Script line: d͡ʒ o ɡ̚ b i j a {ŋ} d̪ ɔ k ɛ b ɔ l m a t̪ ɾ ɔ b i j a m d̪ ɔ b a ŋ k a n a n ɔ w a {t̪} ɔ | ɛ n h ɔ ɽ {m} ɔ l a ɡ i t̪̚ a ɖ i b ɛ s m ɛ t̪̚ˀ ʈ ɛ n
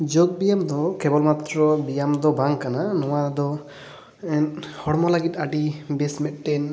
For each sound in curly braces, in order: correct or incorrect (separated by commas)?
incorrect, incorrect, correct